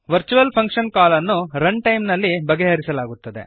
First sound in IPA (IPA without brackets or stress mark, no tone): ʋ